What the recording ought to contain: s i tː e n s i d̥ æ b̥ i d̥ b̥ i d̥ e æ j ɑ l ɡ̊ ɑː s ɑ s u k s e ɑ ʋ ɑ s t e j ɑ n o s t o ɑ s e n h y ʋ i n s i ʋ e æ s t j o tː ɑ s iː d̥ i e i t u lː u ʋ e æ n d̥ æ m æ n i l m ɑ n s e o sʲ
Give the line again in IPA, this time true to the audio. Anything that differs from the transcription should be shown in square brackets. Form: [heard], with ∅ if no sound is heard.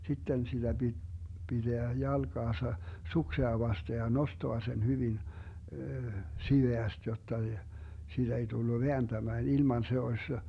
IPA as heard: s i tː e n s i d̥ æ b̥ i d̥ b̥ i d̥ e æ j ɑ l ɡ̊ ɑː s ɑ s u k s e ɑ ʋ ɑ s t e j ɑ n o s t o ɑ s e n h y ʋ i n s i ʋ e æ s t j o tː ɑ s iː d̥ [æ] e i t u lː u ʋ e æ n d̥ æ m [æː] n i l m ɑ n s e o sʲ